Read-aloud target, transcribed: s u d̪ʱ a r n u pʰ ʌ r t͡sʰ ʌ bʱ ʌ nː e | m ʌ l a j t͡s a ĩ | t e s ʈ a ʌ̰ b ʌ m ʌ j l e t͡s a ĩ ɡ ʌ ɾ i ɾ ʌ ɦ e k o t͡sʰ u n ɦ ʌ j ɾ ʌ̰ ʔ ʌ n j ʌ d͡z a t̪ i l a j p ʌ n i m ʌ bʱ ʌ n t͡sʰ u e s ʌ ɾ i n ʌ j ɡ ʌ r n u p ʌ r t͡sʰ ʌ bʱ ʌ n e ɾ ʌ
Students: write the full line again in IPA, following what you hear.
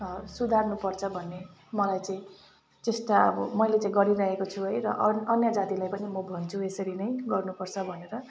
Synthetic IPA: s u d̪ʱ a r n u p ʌ r t͡sʰ ʌ bʱ ʌ nː e | m ʌ l a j t͡s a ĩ | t e s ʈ a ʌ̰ b ʌ m ʌ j l e t͡s a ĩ ɡ ʌ ɾ i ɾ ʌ ɦ e k o t͡sʰ u ɦ ʌ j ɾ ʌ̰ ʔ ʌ n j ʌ d͡z a t̪ i l a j p ʌ n i m ʌ bʱ ʌ n t͡sʰ u e s ʌ ɾ i n ʌ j ɡ ʌ r n u p ʌ r t͡sʰ ʌ bʱ ʌ n e ɾ ʌ

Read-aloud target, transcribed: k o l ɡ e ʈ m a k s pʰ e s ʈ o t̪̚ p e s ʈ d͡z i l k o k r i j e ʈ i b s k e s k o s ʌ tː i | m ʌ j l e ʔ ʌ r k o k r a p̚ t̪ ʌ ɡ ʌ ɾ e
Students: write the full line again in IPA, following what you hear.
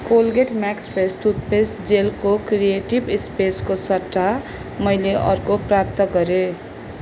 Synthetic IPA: k o l ɡ e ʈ m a k s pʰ e s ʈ u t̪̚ p e s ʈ d͡z e l k o k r i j e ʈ i b s p e s k o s ʌ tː a | m ʌ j l e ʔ ʌ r k o p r a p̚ t̪ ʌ ɡ ʌ ɾ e

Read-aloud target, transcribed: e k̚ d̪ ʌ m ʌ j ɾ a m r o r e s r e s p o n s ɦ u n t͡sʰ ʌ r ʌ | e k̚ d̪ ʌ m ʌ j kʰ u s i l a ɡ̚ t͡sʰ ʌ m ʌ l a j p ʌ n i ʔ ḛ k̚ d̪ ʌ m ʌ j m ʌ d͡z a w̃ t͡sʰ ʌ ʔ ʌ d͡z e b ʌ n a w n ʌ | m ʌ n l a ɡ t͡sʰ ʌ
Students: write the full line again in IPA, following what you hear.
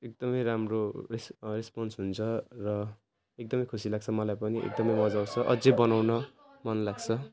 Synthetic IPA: e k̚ d̪ ʌ m ʌ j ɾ a m r o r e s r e s p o n s ɦ u n t͡sʰ ʌ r ʌ | e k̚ d̪ ʌ m ʌ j kʰ u s i l a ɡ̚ t͡sʰ ʌ m ʌ l a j p ʌ n i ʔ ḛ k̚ d̪ ʌ m ʌ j m ʌ d͡z a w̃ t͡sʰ ʌ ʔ ʌ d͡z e b ʌ n a w n ʌ | m ʌ n l a ɡ t͡sʰ ʌ

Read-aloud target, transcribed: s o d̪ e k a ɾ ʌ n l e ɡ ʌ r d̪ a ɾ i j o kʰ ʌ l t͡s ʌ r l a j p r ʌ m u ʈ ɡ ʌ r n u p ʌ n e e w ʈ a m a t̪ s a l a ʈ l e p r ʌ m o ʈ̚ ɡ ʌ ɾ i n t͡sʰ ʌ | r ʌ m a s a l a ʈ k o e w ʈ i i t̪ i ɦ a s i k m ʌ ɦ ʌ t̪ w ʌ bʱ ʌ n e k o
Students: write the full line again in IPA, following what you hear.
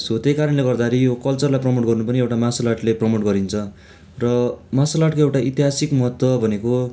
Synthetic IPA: s o t̪ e k a ɾ ʌ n l e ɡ ʌ r d̪ a ɾ i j o k ʌ l t͡s ʌ r l a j p r ʌ m o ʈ ɡ ʌ r n u p ʌ n i e w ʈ a m a s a l a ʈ l e p r ʌ m o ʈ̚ ɡ ʌ ɾ i n t͡sʰ ʌ | r ʌ m a s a l a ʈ k o e w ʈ a i t̪ i ɦ a s i k m ʌ ɦ ʌ t̪ w ʌ bʱ ʌ n e k o

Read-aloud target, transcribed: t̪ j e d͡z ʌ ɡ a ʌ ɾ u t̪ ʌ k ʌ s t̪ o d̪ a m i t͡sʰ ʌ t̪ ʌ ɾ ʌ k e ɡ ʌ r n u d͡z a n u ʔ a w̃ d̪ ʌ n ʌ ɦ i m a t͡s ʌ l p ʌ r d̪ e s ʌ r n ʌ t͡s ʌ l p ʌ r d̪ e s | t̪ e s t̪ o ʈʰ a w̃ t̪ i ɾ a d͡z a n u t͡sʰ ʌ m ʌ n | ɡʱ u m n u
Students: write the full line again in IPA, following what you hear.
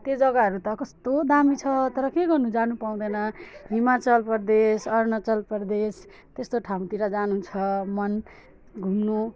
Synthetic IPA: t̪ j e d͡z ʌ ɡ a ʌ ɾ u t̪ ʌ k ʌ s t̪ o d̪ a m i t͡sʰ ʌ t̪ ʌ ɾ ʌ k e ɡ ʌ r n u d͡z a n u p a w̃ d̪ ʌ n ʌ ɦ i m a t͡s ʌ l p ʌ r d̪ e s ʌ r n ʌ t͡s ʌ l p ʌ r d̪ e s | t̪ e s t̪ o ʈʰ a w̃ t̪ i ɾ a d͡z a n u t͡sʰ ʌ m ʌ n | ɡʱ u m n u

